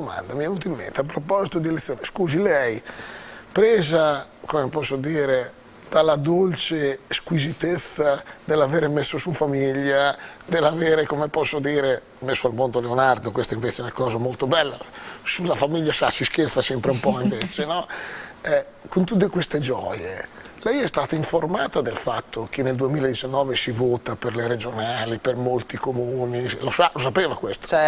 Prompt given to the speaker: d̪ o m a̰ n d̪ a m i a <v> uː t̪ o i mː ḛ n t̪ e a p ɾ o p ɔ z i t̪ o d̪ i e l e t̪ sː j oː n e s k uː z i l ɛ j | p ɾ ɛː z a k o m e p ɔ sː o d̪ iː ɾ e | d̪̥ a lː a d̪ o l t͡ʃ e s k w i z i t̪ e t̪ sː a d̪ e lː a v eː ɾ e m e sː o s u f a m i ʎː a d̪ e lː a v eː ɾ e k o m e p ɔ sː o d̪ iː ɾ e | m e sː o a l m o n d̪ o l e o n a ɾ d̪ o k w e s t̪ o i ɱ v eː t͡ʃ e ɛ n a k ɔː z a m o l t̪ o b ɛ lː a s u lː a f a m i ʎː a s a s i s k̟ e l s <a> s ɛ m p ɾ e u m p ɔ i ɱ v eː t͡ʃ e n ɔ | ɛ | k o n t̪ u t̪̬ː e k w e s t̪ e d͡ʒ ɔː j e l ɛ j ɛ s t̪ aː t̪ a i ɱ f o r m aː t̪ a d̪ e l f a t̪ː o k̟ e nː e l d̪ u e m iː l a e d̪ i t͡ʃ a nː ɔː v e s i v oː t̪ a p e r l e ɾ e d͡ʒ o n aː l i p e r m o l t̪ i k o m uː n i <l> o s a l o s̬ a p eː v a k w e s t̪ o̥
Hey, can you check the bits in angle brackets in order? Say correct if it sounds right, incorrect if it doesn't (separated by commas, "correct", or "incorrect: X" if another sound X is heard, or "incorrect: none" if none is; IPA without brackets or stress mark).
correct, correct, correct